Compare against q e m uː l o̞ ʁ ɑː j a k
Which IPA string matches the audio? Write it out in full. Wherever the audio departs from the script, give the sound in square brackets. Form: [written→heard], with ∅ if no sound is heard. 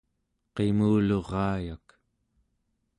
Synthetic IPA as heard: q e m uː l o̞ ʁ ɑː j a k